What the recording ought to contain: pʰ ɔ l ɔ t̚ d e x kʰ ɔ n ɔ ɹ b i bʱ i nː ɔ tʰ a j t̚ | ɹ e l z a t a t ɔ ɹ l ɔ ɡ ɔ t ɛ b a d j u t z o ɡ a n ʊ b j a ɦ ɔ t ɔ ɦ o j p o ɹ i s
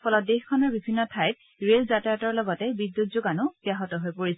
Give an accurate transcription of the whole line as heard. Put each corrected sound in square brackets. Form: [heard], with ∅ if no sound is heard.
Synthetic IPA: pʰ ɔ l ɔ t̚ d e x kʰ ɔ n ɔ ɹ b i bʱ i nː ɔ tʰ a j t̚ | ɹ e l z a t a t ɔ ɹ l ɔ ɡ ɔ t ɛ b [i] d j u t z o ɡ a n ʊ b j a ɦ ɔ t ɔ ɦ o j p o ɹ i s